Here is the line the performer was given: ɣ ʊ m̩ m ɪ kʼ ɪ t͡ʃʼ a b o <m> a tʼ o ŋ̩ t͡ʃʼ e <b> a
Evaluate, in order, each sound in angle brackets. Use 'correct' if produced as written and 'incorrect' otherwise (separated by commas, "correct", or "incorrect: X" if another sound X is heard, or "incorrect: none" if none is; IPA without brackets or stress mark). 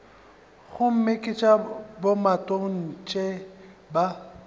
correct, correct